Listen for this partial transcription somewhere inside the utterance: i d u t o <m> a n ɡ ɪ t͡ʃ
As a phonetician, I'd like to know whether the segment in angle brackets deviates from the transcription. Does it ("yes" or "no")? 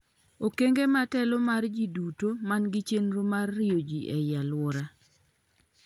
no